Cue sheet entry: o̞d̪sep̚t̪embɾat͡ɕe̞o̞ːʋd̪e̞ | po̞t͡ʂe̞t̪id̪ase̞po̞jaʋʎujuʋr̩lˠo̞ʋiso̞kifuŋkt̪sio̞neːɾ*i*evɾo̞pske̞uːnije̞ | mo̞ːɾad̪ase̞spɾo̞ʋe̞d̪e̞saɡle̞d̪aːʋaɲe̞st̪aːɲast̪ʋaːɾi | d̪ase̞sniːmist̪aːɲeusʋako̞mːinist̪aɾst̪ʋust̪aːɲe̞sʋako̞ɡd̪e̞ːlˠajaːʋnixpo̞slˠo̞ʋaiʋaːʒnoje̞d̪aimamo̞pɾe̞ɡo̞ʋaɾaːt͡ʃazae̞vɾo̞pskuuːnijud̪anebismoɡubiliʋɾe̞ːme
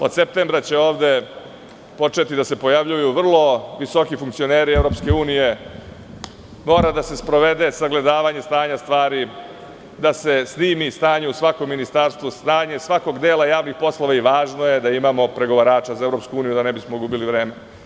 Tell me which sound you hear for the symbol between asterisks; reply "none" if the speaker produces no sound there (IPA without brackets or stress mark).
i